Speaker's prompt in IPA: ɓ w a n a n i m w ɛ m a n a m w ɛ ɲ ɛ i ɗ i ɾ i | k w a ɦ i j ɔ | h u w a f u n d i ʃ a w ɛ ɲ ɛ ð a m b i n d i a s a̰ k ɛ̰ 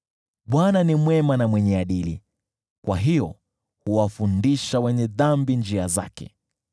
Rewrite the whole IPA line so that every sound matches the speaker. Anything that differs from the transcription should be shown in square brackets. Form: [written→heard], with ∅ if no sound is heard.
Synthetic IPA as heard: ɓ w a n a n i m w ɛ m a n a m w ɛ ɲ ɛ [i→a] ɗ i [ɾ→l] i | k w a ɦ i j ɔ | h u w a f u n d i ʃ a w ɛ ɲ ɛ ð a m b i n [d→d͡ʒ] i a [s→z] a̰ k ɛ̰